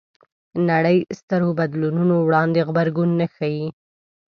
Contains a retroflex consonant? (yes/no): yes